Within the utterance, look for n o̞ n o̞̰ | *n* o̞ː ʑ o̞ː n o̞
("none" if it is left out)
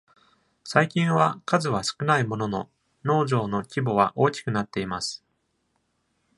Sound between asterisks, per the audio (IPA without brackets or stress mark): n